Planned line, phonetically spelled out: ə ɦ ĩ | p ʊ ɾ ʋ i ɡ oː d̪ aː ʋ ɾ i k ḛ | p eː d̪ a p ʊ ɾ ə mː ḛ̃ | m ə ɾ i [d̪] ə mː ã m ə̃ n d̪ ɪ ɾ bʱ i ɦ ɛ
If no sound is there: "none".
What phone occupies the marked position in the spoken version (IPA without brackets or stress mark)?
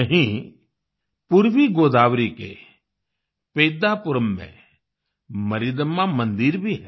d̪